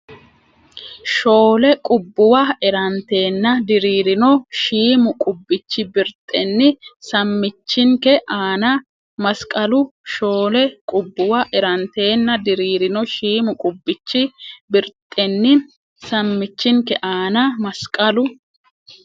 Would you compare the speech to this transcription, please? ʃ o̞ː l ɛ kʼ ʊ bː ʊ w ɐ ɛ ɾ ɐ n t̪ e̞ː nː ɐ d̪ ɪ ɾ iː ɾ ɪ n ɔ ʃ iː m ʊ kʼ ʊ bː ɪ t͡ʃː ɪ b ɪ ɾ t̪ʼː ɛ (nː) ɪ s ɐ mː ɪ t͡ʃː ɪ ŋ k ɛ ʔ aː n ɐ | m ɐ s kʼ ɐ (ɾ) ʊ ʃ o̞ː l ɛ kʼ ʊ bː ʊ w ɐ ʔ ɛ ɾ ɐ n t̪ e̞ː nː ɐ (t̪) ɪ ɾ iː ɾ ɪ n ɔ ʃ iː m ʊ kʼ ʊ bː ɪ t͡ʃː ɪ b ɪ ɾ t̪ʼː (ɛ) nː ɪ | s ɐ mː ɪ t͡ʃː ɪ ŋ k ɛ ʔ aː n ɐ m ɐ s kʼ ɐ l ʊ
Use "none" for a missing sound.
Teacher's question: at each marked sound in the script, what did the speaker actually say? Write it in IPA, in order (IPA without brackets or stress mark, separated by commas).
nː, l, d̪, ɛ